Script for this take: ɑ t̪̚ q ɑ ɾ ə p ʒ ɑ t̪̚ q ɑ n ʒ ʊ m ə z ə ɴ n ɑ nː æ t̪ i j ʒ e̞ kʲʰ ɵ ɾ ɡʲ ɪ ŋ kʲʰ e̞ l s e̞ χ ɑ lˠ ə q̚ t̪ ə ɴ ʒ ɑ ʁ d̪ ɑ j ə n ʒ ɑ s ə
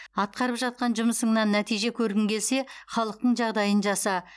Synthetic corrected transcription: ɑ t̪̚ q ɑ ɾ ə p ʒ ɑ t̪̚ q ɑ n ʒ ʊ m ə s ə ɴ n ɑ nː æ t̪ i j ʒ e̞ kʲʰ ɵ ɾ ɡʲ ɪ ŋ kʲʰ e̞ l s e̞ χ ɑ lˠ ə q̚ t̪ ə ɴ ʒ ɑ ʁ d̪ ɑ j ə n ʒ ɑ s ɑ